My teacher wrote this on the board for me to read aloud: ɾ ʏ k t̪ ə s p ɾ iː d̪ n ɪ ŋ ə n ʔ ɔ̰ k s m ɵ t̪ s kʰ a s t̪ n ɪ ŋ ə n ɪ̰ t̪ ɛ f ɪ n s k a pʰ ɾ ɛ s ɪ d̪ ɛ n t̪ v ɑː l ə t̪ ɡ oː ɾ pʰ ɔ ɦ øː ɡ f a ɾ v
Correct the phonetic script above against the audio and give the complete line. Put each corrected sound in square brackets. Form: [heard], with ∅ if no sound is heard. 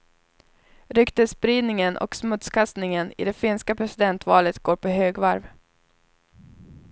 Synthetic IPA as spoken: ɾ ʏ k t̪ ə s p ɾ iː d̪ n ɪ ŋ ə n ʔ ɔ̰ k s m ɵ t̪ s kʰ a s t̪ n ɪ ŋ ə n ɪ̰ [d̪] ɛ f ɪ n s k a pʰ ɾ ɛ s ɪ d̪ ɛ n t̪ v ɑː l ə t̪ ɡ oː ɾ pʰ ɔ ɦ øː ɡ [v] a ɾ v

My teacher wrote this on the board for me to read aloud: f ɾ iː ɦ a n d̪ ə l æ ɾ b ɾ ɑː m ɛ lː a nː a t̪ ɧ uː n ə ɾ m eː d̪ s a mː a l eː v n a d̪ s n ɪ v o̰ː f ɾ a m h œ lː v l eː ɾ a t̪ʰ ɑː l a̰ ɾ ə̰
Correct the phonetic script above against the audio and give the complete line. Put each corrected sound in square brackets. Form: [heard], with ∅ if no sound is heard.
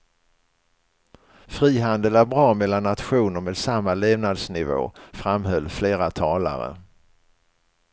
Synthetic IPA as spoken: f ɾ iː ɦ a n d̪ ə l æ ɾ b ɾ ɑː m ɛ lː a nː a t̪ ɧ uː n ə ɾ m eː d̪ s a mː a l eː v n a d̪ s n ɪ v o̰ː f ɾ a m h œ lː [f] l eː ɾ a t̪ʰ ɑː l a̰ ɾ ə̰

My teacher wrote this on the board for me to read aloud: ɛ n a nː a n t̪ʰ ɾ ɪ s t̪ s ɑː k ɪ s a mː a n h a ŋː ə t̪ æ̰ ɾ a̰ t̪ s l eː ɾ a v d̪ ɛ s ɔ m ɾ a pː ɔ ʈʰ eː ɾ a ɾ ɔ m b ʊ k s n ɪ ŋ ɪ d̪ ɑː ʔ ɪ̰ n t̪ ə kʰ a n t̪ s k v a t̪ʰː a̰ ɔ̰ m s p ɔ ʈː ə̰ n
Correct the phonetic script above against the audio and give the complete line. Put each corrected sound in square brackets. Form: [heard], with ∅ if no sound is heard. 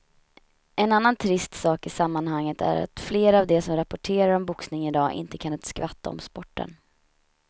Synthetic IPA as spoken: ɛ n a nː a n t̪ʰ ɾ ɪ s t̪ s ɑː k ɪ s a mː a n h a ŋː ə t̪ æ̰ ɾ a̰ t̪ [f] l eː ɾ a v d̪ ɛ s ɔ m ɾ a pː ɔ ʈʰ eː ɾ a ɾ ɔ m b ʊ k s n ɪ ŋ ɪ d̪ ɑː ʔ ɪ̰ n t̪ ə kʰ a n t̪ s k v a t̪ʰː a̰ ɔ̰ m s p ɔ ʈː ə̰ n

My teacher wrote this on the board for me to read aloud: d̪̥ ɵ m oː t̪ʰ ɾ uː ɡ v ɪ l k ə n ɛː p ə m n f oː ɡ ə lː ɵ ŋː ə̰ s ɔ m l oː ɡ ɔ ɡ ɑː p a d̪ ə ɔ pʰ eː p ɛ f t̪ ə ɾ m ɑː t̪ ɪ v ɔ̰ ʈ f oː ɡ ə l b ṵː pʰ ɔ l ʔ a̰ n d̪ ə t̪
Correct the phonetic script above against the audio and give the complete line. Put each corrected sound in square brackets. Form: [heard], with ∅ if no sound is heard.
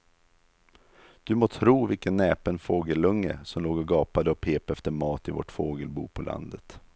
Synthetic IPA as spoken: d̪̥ ɵ m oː t̪ʰ ɾ uː [∅] v ɪ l k ə [nː] ɛː p ə [∅] n f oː ɡ ə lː ɵ ŋː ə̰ s ɔ m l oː ɡ ɔ ɡ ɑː p a d̪ ə ɔ pʰ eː p ɛ f t̪ ə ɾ m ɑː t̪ ɪ v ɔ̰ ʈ f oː ɡ ə l b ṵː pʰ ɔ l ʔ a̰ n d̪ ə t̪

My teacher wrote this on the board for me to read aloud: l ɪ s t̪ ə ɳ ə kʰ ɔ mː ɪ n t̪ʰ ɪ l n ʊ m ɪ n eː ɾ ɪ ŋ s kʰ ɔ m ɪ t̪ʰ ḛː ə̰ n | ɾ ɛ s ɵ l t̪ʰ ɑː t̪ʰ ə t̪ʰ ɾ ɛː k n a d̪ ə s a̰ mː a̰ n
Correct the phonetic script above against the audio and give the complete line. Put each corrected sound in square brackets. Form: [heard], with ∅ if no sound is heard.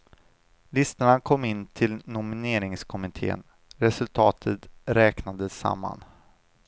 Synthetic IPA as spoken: l ɪ s t̪ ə ɳ [a] kʰ ɔ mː ɪ n t̪ʰ ɪ l n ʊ m ɪ n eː ɾ ɪ ŋ s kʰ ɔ m ɪ t̪ʰ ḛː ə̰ n | ɾ ɛ s ɵ l t̪ʰ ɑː t̪ʰ ə [t̪] ɾ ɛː k n a d̪ ə s a̰ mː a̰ n

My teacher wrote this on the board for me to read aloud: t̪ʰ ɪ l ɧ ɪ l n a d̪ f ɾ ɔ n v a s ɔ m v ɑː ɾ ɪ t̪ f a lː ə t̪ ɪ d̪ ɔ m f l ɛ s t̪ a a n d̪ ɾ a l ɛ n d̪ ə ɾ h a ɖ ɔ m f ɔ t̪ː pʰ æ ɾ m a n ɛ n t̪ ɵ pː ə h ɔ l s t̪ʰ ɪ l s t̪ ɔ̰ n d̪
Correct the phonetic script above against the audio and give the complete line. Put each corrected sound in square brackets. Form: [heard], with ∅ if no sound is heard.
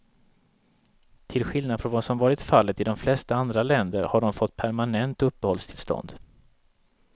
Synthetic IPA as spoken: t̪ʰ ɪ l ɧ ɪ l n a d̪ f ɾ ɔ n v a s ɔ m v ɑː ɾ ɪ t̪ f a lː ə t̪ ɪ d̪ ɔ m f l ɛ s t̪ a a n d̪ ɾ a l ɛ n d̪ ə ɾ h a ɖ ɔ m f ɔ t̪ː pʰ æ ɾ m a n ɛ n t̪ ɵ pː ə h ɔ l s t̪ʰ ɪ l s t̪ ɔ̰ n d̪

